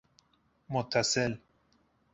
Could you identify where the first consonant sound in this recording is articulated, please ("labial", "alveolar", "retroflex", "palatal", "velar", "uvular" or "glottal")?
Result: labial